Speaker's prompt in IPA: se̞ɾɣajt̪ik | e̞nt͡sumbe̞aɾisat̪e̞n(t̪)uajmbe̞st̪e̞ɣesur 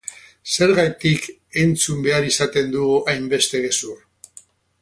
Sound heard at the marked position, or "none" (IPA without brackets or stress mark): d̪